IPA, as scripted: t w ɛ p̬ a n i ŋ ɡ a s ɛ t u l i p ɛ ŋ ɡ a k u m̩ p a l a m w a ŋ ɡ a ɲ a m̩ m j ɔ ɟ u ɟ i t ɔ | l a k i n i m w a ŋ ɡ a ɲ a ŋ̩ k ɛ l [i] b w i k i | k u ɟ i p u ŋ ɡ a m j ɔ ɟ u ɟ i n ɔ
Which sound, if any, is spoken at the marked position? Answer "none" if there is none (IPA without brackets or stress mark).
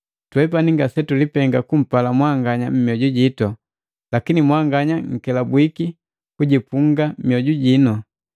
a